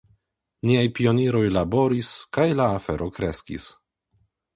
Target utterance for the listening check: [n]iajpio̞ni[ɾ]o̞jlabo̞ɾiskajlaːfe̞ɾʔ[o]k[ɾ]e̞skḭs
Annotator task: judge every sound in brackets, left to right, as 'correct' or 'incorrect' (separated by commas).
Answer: correct, correct, correct, correct